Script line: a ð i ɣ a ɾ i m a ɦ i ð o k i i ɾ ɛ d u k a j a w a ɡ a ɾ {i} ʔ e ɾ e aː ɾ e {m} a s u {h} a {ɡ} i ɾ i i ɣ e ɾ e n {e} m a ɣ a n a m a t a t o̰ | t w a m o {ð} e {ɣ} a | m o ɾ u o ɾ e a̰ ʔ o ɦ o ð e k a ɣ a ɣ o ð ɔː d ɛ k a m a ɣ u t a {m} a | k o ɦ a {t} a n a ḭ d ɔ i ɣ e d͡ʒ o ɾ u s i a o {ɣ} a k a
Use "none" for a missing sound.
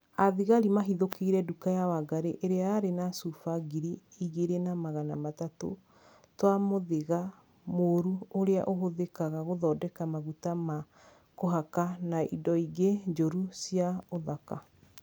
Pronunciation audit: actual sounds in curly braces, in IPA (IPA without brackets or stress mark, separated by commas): e, n, f, ɡ, a, ð, ɣ, m, k, ð